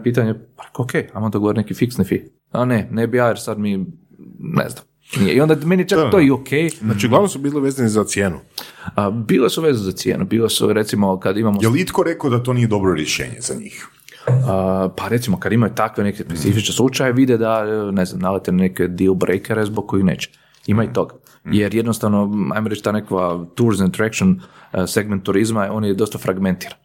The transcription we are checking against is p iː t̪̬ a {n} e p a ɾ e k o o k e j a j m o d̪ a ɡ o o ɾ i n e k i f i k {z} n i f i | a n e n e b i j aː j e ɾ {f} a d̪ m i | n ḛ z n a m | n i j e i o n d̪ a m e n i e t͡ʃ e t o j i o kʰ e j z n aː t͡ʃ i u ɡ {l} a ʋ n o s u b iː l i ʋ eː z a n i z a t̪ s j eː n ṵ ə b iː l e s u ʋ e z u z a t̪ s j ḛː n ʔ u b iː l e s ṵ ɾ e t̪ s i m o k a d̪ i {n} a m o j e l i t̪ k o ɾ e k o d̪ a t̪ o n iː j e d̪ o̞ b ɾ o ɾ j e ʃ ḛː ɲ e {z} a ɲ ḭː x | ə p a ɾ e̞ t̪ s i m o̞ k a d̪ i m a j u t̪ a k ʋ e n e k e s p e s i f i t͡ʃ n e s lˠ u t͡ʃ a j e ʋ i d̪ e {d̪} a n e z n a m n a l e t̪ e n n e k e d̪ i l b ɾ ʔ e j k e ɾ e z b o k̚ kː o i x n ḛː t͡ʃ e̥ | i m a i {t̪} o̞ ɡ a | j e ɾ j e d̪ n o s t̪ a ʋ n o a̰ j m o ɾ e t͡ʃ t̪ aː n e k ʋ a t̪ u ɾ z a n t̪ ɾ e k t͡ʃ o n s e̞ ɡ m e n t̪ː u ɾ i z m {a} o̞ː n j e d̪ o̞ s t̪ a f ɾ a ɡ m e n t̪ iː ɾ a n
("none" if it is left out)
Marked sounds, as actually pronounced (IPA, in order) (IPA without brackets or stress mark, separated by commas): ɲ, s, s, l, m, z, d̪, t̪, a